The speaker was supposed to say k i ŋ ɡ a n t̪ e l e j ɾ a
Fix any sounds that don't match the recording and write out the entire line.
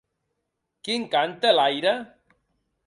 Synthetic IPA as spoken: k i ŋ k a n t̪ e l a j ɾ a